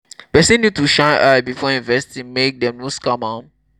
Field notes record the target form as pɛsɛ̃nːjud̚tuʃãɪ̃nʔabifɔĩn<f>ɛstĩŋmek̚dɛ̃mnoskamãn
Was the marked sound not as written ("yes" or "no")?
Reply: yes